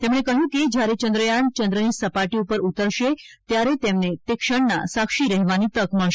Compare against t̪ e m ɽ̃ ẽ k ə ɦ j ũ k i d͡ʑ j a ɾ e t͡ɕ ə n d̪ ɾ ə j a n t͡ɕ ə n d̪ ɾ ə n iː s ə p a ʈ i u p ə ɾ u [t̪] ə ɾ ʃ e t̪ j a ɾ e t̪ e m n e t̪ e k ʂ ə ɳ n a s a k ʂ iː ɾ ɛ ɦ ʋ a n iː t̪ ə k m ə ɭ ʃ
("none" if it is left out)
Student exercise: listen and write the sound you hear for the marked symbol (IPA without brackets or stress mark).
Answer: t̪